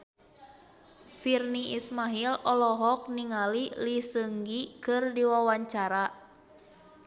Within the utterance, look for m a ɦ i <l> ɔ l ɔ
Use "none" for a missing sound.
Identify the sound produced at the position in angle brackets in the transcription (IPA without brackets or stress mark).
l